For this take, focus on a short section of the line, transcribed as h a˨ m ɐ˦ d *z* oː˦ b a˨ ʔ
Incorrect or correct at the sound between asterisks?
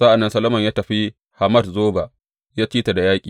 correct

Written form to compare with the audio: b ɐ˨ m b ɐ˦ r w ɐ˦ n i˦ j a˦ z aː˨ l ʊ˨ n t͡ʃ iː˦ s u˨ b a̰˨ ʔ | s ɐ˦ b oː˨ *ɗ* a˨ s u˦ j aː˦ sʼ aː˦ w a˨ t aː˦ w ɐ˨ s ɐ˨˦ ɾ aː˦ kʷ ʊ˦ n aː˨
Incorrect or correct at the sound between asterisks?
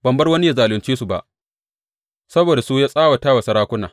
incorrect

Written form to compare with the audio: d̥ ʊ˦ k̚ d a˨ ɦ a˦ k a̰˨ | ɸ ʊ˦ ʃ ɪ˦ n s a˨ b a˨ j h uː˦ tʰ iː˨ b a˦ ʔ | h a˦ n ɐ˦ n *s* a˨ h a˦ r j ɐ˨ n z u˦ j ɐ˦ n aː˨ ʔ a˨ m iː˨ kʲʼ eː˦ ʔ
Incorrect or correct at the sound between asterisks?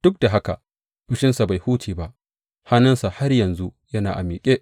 correct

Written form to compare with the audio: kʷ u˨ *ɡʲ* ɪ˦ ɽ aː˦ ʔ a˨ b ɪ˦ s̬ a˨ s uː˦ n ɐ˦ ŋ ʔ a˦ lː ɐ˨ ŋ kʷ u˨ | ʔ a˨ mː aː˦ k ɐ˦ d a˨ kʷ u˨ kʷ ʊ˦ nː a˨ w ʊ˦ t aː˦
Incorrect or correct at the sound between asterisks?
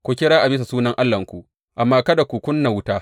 incorrect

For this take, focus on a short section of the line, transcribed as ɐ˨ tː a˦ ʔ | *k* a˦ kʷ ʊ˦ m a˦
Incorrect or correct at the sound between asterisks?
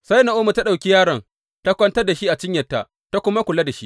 incorrect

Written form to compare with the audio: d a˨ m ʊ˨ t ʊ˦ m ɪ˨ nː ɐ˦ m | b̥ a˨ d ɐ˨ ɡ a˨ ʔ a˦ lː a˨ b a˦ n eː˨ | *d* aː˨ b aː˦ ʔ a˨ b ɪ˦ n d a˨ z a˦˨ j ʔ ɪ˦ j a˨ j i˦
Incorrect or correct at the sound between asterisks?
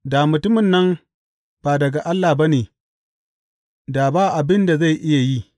correct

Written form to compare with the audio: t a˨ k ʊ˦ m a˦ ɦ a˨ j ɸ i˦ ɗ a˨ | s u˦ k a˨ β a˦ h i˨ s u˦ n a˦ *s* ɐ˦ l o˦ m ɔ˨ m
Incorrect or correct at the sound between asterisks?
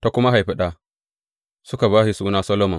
correct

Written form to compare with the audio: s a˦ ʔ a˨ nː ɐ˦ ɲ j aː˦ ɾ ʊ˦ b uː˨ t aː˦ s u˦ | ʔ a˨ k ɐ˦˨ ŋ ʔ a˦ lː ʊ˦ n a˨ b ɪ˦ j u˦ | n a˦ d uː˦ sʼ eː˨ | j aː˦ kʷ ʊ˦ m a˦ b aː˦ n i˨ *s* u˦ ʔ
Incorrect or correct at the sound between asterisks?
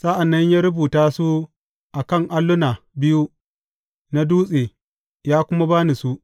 correct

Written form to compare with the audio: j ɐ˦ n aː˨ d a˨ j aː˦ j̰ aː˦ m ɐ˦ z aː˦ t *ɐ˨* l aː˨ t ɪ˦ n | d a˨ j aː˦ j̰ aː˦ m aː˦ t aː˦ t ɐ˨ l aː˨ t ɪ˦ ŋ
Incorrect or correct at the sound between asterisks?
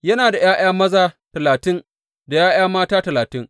correct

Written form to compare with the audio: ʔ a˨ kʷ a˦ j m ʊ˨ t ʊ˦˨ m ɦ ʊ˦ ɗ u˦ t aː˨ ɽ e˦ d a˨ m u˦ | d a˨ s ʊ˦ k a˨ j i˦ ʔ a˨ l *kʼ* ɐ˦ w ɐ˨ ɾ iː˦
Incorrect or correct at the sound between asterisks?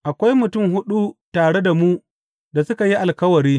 incorrect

